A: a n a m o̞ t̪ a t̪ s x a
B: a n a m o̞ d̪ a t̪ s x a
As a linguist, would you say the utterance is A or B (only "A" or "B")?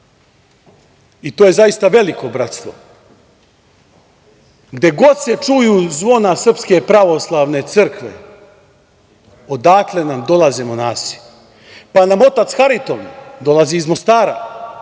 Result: A